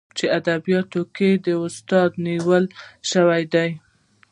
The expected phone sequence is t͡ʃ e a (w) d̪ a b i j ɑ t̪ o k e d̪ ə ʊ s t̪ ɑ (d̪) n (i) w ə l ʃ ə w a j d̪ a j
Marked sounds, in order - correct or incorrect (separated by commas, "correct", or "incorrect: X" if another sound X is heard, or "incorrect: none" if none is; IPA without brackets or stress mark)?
incorrect: none, correct, correct